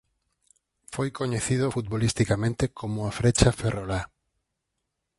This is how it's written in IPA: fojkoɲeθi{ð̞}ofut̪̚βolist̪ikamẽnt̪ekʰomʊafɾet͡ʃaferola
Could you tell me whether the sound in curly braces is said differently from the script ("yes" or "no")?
no